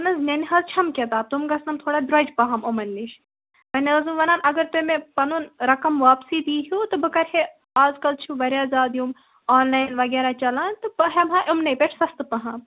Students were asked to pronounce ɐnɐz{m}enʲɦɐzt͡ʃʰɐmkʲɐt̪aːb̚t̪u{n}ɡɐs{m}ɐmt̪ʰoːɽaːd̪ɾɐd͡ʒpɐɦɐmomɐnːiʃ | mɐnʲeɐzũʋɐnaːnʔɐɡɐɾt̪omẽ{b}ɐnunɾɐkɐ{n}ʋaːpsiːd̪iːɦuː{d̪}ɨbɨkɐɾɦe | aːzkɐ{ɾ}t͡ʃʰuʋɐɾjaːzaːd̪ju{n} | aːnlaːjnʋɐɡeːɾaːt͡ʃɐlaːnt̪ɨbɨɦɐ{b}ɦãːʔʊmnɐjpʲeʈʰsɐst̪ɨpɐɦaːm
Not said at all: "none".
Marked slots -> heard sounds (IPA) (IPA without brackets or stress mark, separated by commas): n, m, n, p, m, t̪, l, m, m